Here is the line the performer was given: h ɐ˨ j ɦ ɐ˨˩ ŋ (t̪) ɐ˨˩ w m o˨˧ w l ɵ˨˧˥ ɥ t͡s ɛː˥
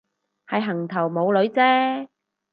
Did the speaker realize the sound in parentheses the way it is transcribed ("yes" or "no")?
no